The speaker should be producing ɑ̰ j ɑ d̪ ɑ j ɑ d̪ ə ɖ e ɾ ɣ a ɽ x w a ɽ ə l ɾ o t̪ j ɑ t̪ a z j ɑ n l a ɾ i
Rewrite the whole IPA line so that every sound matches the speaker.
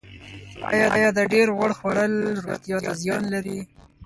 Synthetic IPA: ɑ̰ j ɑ d̪ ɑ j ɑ d̪ ə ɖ e ɾ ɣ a ɽ x w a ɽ ə l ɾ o t̪ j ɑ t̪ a z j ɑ n l a ɾ i